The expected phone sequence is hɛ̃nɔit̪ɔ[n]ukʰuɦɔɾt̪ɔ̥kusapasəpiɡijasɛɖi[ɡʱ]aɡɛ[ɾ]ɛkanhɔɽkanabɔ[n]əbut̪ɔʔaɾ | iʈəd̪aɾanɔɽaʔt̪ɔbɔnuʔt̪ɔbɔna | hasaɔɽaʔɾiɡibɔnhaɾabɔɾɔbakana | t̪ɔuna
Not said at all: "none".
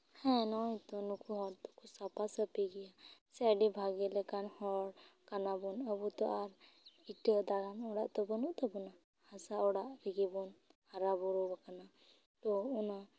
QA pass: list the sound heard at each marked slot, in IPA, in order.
n, bʱ, l, n

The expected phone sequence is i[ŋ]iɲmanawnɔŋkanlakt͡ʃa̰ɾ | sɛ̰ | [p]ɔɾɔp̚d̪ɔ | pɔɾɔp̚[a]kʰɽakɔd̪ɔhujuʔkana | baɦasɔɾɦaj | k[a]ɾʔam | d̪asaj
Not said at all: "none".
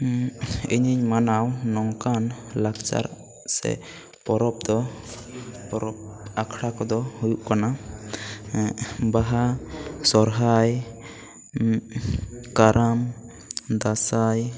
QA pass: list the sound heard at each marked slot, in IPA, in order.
ɲ, p, a, a

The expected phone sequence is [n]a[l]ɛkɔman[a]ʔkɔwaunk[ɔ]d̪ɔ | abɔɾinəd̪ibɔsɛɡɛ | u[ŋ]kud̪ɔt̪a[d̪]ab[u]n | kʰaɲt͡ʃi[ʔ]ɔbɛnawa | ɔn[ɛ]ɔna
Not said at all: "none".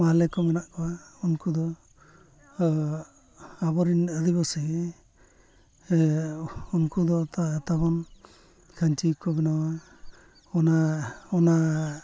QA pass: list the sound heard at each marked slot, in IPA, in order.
m, l, a, u, n, t̪, ɔ, k, a

